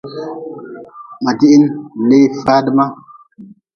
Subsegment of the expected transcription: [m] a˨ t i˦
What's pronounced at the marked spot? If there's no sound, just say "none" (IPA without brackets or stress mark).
m